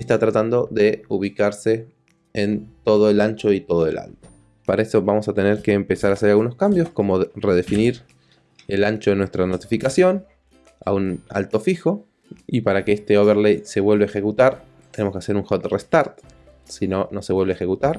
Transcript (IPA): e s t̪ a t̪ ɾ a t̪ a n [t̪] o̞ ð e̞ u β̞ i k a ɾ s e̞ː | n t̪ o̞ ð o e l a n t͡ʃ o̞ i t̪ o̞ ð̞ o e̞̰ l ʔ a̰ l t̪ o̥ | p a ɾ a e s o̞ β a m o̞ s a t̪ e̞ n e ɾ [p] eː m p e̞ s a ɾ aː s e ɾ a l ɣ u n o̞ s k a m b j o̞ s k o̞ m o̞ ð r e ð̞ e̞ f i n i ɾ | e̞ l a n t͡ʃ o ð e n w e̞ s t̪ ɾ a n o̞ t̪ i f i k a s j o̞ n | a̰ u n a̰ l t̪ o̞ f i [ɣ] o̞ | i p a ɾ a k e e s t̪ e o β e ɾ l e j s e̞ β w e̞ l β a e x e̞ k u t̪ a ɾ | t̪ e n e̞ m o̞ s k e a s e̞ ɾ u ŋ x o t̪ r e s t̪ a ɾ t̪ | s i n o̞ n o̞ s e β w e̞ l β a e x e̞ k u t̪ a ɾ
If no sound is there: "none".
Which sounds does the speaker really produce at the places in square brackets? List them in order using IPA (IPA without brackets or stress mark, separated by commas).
d̪, k, x